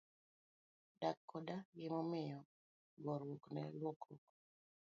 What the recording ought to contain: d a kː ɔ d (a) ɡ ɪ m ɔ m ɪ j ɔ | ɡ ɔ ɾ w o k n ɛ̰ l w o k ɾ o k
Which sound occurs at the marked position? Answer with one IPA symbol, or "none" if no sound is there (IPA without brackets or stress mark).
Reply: a